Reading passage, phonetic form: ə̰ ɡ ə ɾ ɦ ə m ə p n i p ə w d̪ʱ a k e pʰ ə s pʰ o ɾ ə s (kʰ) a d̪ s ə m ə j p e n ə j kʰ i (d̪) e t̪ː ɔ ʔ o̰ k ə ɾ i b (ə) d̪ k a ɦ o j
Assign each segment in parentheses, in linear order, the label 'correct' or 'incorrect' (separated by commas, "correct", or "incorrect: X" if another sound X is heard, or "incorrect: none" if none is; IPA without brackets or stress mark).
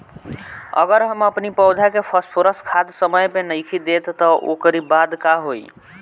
correct, correct, incorrect: a